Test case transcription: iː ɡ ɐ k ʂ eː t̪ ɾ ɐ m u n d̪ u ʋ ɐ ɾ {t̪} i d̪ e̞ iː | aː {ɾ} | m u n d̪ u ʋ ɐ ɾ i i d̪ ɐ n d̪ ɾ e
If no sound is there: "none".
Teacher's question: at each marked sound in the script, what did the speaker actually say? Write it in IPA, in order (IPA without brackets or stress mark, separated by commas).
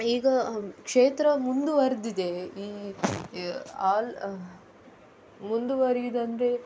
d̪, l